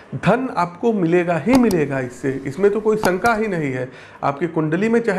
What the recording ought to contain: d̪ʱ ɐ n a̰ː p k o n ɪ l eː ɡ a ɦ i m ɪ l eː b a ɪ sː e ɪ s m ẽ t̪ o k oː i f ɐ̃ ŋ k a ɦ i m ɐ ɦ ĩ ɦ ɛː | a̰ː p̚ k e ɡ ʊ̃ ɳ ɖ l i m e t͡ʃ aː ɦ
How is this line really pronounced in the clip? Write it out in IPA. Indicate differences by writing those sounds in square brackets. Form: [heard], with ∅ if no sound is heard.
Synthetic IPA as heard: d̪ʱ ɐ n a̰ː p k o [m] ɪ l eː ɡ a ɦ i m ɪ l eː [ɡ] a ɪ sː e ɪ s m ẽ t̪ o k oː i [s] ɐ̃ ŋ k a ɦ i [n] ɐ ɦ ĩ ɦ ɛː | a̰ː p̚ k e [k] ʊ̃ ɳ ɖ l i m [ẽ] t͡ʃ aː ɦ